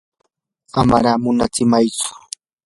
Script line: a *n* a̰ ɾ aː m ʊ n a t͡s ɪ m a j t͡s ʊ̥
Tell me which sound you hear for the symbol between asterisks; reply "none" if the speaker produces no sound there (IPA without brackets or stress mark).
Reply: m